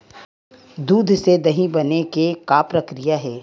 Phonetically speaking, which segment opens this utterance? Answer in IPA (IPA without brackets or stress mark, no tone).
d̪